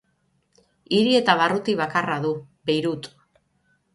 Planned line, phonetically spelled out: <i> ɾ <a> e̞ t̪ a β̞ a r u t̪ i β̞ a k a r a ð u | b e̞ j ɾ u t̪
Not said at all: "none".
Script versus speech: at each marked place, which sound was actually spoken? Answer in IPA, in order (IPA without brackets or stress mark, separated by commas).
i, i